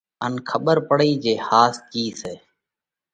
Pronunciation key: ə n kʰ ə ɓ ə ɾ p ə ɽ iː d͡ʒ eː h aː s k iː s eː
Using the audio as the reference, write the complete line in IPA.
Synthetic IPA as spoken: ə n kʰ ə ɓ ə ɾ p ə ɽ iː d͡ʒ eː h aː s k iː s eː